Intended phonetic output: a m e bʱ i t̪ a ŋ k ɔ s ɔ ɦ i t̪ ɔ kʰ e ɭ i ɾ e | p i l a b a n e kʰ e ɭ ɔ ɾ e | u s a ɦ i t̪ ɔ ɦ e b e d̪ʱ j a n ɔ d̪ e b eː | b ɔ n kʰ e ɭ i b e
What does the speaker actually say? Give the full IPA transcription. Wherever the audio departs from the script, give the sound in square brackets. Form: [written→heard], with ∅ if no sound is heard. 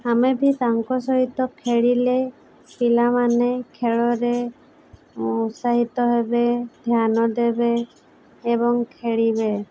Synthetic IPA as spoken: a m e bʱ i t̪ a ŋ k ɔ s ɔ ɦ i t̪ ɔ kʰ e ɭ i [ɾ→l] e | p i l a [b→m] a n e kʰ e ɭ ɔ ɾ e | u s a ɦ i t̪ ɔ ɦ e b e d̪ʱ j a n ɔ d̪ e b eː | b ɔ [n→ŋ] kʰ e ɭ i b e

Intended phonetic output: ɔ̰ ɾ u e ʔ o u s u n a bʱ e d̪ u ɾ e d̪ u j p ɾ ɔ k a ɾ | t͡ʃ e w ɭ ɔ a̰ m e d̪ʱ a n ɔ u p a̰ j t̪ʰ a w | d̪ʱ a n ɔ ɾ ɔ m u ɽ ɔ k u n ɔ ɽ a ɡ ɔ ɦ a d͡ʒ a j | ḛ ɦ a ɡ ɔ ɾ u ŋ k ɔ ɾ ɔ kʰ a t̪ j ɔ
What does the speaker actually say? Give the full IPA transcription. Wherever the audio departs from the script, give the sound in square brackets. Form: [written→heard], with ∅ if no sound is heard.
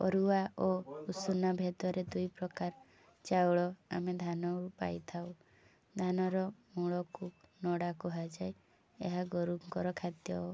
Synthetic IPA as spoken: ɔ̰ ɾ u [e→a] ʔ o u s u n a bʱ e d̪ [u→ɔ] ɾ e d̪ u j p ɾ ɔ k a ɾ | t͡ʃ [e→a] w ɭ ɔ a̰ m e d̪ʱ a n ɔ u p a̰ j t̪ʰ a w | d̪ʱ a n ɔ ɾ ɔ m u [ɽ→ɭ] ɔ k u n ɔ ɽ a [ɡ→k] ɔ ɦ a d͡ʒ a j | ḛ ɦ a ɡ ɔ ɾ u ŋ k ɔ ɾ ɔ kʰ a t̪ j ɔ

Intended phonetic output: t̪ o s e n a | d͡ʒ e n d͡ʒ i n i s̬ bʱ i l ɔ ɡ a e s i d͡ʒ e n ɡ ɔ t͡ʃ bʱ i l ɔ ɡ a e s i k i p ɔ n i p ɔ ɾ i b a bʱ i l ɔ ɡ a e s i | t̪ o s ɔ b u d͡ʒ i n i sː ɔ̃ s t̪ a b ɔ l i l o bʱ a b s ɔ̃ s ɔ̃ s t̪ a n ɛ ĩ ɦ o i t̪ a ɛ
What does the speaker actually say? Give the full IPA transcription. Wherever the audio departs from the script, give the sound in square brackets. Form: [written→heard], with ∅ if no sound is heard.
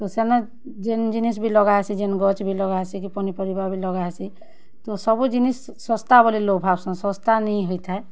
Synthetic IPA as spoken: t̪ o s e n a | d͡ʒ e n d͡ʒ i n i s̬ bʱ i l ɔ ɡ a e s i d͡ʒ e n ɡ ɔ t͡ʃ bʱ i l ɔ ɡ a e s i k i p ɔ n i p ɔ ɾ i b a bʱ i l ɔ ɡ a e s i | t̪ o s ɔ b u d͡ʒ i n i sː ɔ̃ s t̪ a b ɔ l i l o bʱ a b s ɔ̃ s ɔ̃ s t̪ a n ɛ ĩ ɦ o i t̪ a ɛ

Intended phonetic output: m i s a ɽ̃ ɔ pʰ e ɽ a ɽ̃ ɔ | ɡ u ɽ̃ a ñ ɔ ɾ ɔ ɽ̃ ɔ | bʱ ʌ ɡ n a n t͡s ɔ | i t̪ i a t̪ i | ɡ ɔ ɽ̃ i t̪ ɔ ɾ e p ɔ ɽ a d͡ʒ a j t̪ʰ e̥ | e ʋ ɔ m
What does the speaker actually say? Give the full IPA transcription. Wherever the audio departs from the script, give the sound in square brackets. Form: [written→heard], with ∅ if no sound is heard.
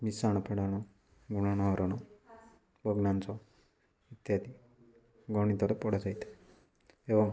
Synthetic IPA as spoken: m i s a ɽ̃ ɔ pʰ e ɽ a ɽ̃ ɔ | ɡ u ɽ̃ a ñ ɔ ɾ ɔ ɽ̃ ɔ | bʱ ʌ ɡ n a n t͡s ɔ | i t̪ [i→j] a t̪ i | ɡ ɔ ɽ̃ i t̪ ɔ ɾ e p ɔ ɽ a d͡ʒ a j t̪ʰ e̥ | e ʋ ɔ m

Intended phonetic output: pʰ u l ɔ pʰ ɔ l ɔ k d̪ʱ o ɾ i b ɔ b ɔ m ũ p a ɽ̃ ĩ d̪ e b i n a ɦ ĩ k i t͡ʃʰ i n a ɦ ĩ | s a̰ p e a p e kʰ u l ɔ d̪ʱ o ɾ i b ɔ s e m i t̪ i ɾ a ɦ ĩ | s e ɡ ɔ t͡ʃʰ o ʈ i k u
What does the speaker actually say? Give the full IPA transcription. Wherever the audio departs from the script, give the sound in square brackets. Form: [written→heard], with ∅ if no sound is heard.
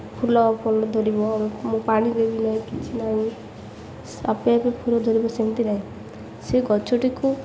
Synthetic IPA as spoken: pʰ u l ɔ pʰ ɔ l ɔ [k→∅] d̪ʱ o ɾ i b ɔ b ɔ m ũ p a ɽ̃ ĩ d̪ e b i n a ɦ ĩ k i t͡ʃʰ i n a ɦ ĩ | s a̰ p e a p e [kʰ→pʰ] u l ɔ d̪ʱ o ɾ i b ɔ s e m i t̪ i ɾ a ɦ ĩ | s e ɡ ɔ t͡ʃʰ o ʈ i k u

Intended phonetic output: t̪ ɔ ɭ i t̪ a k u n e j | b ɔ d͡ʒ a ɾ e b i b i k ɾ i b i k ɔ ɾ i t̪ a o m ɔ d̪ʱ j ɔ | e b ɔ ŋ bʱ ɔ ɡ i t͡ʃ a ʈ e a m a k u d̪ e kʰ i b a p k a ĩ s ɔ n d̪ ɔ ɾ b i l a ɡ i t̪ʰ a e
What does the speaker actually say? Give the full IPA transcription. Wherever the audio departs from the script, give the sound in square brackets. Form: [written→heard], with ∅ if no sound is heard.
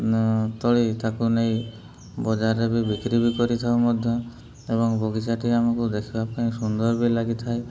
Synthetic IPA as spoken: t̪ ɔ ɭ i t̪ a k u n e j | b ɔ d͡ʒ a ɾ e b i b i k ɾ i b i k ɔ ɾ i [t̪→t̪ʰ] a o m ɔ d̪ʱ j ɔ | e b ɔ ŋ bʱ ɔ ɡ i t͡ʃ a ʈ [e→i] a m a k u d̪ e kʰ i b a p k a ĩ s [ɔ→u] n d̪ ɔ ɾ b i l a ɡ i t̪ʰ a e

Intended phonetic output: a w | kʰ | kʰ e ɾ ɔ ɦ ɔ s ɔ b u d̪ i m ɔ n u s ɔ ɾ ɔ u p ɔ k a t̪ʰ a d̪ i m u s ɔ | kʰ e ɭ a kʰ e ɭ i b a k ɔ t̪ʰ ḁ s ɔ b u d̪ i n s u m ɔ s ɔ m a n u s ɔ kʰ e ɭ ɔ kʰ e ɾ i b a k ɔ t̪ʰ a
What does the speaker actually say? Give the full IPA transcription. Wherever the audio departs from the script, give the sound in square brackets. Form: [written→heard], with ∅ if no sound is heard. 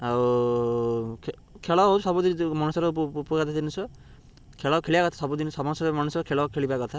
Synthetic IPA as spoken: a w | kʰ | kʰ e [ɾ→ɭ] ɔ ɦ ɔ s ɔ b u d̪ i m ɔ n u s ɔ ɾ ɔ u p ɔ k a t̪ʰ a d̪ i [m→n] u s ɔ | kʰ e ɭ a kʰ e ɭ i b a k ɔ t̪ʰ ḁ s ɔ b u d̪ i n s [u→ɔ] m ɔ s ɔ m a n u s ɔ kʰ e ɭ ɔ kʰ e [ɾ→ɭ] i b a k ɔ t̪ʰ a

